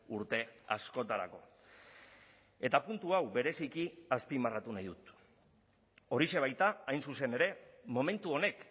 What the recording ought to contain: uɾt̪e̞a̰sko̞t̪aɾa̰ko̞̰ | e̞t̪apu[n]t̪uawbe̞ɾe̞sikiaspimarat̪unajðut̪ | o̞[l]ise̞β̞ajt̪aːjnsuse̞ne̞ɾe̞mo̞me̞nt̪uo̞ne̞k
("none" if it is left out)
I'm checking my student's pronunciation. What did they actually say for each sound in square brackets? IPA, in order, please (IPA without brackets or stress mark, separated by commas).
n, ɾ